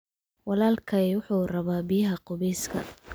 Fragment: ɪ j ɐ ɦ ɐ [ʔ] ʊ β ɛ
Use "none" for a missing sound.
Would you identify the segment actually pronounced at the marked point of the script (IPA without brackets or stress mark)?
q